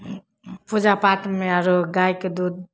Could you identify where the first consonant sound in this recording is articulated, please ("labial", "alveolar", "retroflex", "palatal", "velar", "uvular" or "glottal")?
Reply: labial